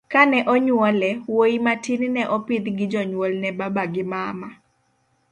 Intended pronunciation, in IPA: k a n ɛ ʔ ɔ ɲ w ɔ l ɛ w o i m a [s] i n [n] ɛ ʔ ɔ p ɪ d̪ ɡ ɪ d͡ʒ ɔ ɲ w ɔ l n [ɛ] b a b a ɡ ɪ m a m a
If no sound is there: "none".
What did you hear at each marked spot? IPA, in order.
t, n, ɛ

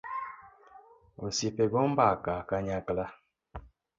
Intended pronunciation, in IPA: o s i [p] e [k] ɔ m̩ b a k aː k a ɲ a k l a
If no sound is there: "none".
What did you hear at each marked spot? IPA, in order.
p, ɡ

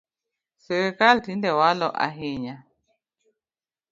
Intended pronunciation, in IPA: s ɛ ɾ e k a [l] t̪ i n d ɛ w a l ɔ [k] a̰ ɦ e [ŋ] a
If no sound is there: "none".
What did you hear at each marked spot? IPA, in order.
l, ʔ, ɲ

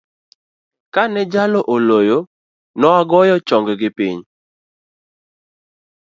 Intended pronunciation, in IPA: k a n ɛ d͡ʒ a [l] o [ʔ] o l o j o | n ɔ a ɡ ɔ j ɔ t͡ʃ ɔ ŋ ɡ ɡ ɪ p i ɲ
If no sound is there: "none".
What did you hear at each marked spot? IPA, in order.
l, ʔ

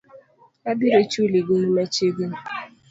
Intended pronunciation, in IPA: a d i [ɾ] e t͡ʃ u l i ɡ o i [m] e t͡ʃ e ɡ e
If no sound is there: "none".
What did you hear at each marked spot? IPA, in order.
ɾ, m

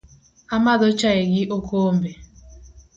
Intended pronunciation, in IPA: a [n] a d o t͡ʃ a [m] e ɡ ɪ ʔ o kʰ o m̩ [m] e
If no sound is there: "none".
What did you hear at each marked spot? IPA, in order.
m, none, b

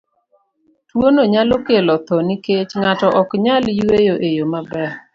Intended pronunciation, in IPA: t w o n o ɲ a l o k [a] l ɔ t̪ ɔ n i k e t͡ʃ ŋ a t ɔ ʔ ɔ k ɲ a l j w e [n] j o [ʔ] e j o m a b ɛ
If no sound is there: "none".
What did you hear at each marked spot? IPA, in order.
e, none, ʔ

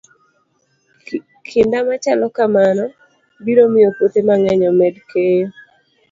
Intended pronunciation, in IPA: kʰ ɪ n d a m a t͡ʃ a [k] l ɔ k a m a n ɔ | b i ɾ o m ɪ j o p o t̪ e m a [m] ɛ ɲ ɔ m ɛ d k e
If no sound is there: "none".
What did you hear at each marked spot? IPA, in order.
none, ŋ

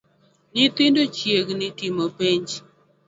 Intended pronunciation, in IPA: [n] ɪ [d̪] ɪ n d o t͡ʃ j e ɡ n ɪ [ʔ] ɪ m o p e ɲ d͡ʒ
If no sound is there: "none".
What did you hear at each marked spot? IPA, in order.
n, t̪, t

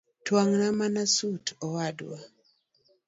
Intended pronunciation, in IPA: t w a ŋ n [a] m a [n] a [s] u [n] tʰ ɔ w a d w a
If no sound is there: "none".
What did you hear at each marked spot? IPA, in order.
a, n, s, none

